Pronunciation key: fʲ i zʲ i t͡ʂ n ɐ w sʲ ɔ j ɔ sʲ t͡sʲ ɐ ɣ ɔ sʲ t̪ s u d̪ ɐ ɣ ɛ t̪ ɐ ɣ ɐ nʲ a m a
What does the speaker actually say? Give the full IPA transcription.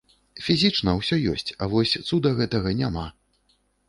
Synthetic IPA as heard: fʲ i zʲ i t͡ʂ n ɐ w sʲ ɔ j ɔ sʲ t͡sʲ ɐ v ɔ sʲ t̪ s u d̪ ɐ ɣ ɛ t̪ ɐ ɣ ɐ nʲ a m a